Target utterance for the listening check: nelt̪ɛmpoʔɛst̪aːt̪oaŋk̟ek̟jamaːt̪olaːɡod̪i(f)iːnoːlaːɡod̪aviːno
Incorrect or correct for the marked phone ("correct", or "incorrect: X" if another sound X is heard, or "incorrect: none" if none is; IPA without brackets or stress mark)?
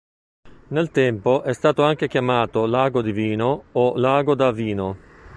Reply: incorrect: v